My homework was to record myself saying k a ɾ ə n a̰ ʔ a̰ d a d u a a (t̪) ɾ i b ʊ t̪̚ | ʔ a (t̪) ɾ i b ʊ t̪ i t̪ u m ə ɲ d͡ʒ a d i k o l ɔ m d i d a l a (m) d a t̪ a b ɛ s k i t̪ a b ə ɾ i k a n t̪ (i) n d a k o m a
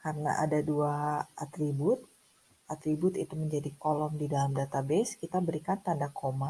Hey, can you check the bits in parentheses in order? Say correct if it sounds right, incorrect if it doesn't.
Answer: correct, correct, correct, incorrect

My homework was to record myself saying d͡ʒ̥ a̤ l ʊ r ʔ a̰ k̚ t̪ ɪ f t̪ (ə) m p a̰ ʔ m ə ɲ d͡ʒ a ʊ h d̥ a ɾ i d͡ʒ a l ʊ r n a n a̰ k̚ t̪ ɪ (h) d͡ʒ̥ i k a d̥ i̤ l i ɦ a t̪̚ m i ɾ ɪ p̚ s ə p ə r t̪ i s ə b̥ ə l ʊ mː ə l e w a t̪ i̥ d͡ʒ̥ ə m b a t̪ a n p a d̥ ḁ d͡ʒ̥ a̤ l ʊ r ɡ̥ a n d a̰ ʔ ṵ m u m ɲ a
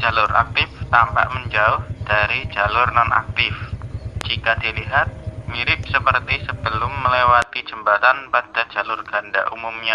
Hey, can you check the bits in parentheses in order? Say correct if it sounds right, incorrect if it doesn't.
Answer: incorrect, incorrect

